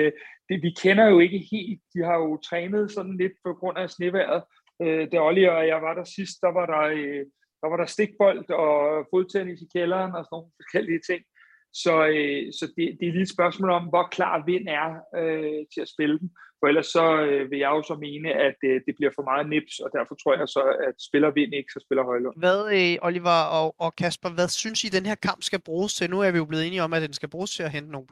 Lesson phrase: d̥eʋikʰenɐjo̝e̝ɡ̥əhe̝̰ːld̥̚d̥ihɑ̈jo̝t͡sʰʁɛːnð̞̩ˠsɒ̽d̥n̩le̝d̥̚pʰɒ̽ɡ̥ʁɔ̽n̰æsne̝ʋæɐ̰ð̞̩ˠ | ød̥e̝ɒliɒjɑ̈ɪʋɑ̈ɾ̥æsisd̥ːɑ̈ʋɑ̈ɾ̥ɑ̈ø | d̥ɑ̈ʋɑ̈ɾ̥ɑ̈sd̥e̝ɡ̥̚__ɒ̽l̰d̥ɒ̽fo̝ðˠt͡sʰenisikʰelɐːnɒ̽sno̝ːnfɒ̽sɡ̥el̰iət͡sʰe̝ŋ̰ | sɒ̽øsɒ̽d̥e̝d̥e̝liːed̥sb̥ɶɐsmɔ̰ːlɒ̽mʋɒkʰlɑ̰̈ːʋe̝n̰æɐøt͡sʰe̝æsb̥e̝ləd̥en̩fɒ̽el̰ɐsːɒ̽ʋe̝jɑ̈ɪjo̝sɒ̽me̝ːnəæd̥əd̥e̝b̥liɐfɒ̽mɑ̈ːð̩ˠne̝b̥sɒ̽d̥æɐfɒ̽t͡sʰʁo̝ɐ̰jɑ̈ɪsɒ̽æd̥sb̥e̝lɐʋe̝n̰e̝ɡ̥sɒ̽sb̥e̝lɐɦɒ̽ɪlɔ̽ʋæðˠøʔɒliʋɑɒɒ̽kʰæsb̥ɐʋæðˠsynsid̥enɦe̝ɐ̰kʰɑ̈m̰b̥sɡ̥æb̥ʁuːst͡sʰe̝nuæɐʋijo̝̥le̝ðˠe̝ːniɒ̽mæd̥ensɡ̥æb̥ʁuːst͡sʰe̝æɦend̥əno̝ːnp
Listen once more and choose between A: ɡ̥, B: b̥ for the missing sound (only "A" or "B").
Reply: B